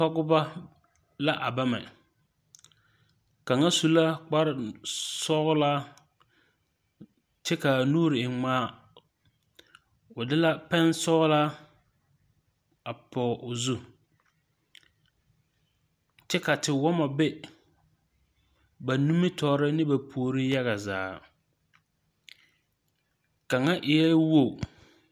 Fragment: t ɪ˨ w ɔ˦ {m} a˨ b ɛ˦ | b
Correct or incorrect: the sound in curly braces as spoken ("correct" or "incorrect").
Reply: correct